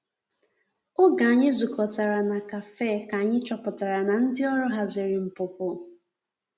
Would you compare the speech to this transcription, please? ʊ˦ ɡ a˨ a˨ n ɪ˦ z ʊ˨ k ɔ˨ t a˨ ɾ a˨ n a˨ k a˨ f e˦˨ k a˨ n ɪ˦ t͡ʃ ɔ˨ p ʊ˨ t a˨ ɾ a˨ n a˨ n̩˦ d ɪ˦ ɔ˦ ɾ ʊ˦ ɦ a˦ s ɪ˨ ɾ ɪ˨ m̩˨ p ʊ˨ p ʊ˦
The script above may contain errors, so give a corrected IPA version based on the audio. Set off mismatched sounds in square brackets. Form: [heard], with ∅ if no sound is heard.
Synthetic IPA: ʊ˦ ɡ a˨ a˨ [ɲ] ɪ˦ z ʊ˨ k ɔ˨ t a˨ ɾ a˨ n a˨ k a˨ f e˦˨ k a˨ [ɲ] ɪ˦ t͡ʃ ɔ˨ p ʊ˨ t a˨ ɾ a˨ n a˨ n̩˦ d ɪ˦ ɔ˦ ɾ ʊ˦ ɦ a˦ [z] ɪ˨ ɾ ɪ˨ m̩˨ p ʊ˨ p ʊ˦